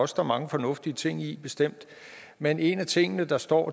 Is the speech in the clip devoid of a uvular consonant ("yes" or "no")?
yes